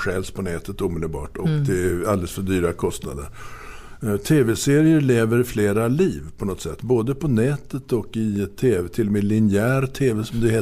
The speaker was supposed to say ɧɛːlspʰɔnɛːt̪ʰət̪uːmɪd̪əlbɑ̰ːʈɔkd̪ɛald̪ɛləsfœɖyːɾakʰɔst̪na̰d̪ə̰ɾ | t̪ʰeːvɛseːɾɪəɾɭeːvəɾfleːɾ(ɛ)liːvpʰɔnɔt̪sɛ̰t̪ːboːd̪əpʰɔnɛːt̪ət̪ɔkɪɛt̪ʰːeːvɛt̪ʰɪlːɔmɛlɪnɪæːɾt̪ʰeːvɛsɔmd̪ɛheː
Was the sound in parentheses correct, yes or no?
no